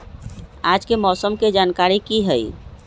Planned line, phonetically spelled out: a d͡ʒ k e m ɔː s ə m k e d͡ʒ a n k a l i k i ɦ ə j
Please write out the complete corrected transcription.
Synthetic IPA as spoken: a d͡ʒ k e m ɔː s ə m k e d͡ʒ a n k a ɾ i k i ɦ ə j